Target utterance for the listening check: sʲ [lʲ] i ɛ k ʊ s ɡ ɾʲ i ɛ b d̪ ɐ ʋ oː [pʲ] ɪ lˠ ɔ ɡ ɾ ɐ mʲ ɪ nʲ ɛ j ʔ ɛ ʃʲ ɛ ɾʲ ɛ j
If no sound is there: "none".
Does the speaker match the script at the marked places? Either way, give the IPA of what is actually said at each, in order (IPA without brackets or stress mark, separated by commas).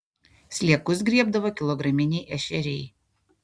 lʲ, kʲ